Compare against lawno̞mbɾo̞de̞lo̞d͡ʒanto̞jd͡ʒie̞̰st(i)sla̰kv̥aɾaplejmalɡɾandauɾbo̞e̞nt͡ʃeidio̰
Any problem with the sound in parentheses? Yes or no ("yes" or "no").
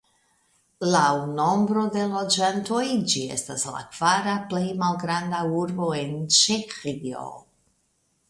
yes